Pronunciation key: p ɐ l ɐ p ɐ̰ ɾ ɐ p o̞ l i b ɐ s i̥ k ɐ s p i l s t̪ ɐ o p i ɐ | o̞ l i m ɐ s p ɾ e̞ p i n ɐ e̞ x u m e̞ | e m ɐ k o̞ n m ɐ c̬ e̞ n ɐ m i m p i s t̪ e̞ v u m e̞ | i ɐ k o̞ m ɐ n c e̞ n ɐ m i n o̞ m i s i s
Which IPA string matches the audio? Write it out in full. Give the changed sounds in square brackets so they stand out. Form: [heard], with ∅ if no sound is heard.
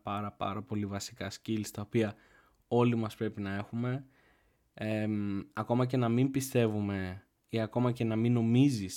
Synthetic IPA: p ɐ [ɾ] ɐ p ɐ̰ ɾ ɐ p o̞ l i [v] ɐ s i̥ k ɐ s [c] i l s t̪ ɐ o p i ɐ | o̞ l i m ɐ s p ɾ e̞ p i n ɐ e̞ x u m e̞ | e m ɐ k o̞ [∅] m ɐ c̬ e̞ n ɐ m i m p i s t̪ e̞ v u m e̞ | i ɐ k o̞ m ɐ [∅] c e̞ n ɐ m i n o̞ m i [z] i s